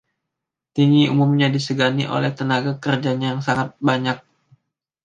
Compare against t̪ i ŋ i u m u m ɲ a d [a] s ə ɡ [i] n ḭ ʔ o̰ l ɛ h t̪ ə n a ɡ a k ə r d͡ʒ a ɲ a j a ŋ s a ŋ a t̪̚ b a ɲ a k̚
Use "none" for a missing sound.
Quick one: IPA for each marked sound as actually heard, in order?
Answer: i, a

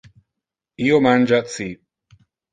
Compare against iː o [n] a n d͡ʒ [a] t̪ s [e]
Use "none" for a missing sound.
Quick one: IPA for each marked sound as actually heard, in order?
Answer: m, a, i

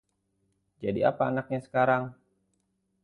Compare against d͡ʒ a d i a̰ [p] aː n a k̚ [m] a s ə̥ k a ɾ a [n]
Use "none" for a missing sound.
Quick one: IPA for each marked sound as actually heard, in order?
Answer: p, ɲ, ŋ

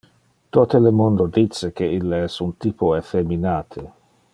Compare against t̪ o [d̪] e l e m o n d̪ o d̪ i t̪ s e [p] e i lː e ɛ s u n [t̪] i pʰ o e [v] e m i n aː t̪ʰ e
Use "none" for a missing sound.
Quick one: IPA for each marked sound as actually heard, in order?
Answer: t̪, k, t̪, f

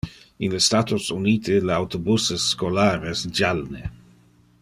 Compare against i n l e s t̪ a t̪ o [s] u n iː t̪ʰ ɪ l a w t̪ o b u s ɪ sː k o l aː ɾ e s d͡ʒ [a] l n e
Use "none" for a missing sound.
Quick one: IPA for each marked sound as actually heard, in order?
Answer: s, a

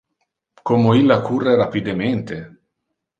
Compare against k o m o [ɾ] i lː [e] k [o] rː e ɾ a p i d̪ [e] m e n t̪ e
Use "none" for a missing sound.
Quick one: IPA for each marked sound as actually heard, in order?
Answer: none, a, u, e

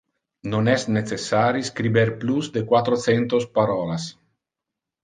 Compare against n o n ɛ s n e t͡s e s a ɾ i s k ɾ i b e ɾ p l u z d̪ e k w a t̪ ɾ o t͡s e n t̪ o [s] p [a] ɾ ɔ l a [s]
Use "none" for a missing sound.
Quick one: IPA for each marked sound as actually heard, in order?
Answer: s, a, s

